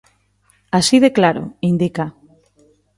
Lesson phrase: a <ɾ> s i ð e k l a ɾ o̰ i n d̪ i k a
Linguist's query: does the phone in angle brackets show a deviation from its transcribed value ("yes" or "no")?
yes